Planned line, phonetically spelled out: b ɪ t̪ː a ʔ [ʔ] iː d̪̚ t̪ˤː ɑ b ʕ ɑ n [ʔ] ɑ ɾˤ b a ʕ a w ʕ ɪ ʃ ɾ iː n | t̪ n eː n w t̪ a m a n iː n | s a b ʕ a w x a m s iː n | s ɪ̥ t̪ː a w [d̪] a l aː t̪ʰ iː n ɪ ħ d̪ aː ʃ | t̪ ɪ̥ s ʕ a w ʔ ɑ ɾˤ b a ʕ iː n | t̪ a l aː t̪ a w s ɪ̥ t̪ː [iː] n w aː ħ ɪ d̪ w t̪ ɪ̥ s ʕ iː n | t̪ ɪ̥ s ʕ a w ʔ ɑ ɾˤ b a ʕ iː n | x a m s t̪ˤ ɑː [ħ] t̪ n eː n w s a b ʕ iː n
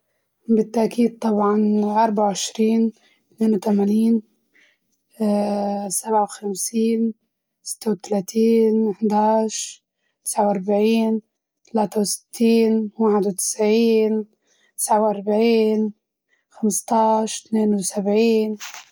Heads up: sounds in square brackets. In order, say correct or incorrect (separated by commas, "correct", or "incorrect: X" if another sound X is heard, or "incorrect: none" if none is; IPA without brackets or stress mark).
incorrect: k, correct, incorrect: t̪, correct, incorrect: ʃ